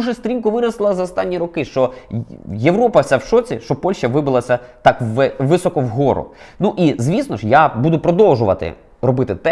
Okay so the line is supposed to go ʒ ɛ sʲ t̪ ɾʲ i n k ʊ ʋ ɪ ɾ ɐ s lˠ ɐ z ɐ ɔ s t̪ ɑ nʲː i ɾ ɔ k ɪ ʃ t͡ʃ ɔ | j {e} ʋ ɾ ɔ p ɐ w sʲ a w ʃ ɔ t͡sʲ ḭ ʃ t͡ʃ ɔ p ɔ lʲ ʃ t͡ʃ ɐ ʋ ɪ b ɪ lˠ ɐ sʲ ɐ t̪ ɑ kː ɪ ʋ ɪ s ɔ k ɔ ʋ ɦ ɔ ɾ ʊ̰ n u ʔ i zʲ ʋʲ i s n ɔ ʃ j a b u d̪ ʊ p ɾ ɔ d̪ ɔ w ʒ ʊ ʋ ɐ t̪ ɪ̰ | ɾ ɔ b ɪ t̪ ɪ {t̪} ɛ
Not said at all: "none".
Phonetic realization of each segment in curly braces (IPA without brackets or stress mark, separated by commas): e, t̪